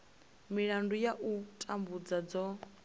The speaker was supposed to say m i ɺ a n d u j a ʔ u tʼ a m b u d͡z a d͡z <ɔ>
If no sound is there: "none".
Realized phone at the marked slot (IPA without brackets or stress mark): ɔ